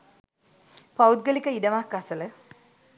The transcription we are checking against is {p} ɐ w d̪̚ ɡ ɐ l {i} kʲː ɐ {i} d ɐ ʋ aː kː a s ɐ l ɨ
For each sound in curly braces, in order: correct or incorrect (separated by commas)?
correct, correct, correct